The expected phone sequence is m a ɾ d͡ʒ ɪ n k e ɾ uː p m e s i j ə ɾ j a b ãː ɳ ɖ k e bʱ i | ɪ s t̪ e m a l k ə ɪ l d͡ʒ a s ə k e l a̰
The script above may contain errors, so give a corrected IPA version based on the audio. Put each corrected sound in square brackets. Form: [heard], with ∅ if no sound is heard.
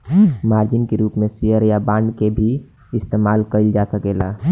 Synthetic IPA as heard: m a ɾ d͡ʒ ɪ n k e ɾ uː p m e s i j ə ɾ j a b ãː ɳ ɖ k e bʱ i | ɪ s t̪ e m a l k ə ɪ l d͡ʒ a s ə k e l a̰